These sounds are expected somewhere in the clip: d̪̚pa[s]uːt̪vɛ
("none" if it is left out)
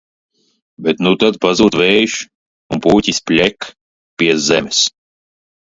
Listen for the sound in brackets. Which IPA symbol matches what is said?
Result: z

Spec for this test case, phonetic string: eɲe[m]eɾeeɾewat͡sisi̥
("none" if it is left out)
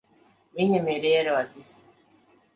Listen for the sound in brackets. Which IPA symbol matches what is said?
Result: m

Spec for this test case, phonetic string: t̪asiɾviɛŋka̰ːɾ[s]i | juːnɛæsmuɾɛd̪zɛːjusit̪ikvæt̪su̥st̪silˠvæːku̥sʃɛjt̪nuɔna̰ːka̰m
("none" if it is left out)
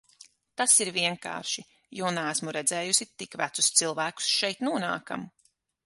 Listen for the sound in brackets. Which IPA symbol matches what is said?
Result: ʃ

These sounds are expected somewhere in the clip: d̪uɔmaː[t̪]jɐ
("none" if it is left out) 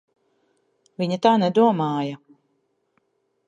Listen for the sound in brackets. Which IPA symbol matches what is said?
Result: none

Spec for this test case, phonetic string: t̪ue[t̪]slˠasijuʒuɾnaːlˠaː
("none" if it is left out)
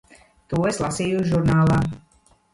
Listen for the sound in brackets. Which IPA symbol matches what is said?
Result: none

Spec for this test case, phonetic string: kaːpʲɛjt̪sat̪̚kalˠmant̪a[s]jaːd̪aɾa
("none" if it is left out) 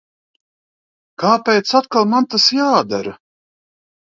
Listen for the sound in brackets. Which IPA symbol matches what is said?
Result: s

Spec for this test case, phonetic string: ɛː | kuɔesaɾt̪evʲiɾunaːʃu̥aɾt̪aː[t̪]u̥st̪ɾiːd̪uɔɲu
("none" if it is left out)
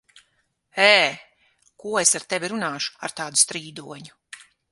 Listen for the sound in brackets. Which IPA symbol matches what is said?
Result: d̪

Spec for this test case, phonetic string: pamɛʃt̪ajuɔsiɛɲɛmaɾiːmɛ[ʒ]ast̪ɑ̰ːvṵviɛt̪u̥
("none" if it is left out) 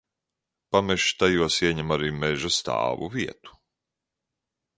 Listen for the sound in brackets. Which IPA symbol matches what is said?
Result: ʒ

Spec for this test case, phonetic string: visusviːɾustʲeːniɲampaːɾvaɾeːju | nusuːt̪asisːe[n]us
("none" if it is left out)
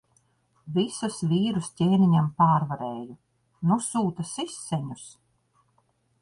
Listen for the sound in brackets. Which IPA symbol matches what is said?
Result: ɲ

